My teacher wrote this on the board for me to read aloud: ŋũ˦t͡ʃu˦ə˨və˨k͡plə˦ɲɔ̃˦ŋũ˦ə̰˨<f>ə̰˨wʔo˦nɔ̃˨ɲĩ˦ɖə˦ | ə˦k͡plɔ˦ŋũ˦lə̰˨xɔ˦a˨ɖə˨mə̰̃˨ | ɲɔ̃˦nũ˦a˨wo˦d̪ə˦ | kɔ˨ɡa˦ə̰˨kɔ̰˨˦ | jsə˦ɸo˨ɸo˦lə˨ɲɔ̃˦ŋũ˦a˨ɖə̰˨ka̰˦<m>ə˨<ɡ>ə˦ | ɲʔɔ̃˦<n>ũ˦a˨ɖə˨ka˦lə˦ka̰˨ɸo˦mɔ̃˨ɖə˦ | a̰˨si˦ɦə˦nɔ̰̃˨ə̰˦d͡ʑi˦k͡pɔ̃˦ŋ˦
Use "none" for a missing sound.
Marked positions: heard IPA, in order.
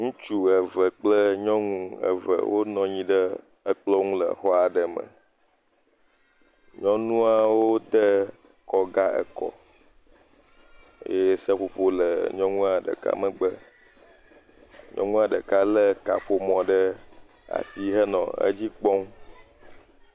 v, m, ɡ͡b, ŋ

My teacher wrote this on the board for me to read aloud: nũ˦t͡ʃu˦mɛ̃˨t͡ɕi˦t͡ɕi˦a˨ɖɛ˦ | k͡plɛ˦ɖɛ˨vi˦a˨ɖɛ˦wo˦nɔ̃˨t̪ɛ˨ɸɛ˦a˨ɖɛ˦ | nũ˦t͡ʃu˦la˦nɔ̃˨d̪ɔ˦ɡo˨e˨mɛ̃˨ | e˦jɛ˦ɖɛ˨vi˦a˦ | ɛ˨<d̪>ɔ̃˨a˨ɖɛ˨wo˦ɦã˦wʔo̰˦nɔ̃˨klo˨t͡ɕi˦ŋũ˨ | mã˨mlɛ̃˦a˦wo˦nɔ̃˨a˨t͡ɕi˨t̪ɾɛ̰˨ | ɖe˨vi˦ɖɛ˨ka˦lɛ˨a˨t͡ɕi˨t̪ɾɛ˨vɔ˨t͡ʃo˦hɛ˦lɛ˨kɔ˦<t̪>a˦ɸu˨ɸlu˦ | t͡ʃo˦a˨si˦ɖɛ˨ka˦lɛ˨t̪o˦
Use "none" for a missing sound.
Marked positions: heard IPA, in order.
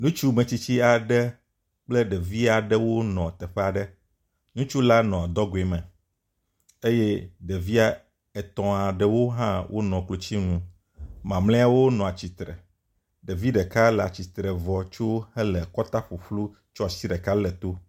t̪, t̪

